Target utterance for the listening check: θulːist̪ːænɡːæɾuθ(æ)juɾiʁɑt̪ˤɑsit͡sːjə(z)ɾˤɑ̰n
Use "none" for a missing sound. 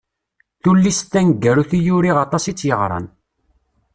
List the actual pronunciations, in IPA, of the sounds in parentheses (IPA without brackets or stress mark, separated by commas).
i, ʁ